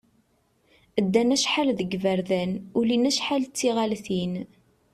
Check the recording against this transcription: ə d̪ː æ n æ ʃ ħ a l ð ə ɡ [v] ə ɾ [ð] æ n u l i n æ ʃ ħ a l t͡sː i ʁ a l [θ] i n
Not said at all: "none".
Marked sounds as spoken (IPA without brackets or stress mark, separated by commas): v, ð, θ